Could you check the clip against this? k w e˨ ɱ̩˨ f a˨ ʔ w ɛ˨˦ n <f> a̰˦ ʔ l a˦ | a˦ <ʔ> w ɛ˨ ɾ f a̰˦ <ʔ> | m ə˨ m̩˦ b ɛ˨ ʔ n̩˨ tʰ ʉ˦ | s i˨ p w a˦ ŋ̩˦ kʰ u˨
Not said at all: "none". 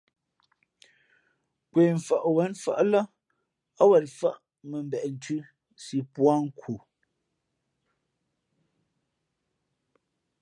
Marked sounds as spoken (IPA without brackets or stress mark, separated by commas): f, none, ʔ